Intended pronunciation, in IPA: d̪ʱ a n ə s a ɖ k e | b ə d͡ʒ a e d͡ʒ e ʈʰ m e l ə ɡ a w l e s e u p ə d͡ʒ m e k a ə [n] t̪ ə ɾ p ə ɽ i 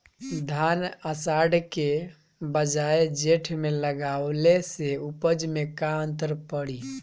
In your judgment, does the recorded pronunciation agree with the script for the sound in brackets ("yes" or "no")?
yes